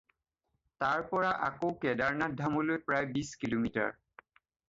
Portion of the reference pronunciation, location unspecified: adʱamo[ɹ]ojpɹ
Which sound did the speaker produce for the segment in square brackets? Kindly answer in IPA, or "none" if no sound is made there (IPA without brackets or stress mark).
l